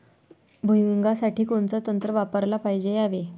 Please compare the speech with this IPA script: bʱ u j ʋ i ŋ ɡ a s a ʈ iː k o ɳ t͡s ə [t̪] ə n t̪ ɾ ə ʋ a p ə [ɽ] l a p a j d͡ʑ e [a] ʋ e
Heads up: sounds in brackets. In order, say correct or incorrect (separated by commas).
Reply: correct, incorrect, correct